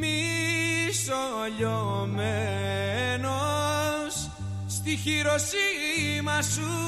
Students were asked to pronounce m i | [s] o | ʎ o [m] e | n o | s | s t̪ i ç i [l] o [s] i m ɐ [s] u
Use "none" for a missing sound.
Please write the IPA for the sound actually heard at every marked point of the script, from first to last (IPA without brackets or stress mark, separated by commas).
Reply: s, m, ɾ, s, s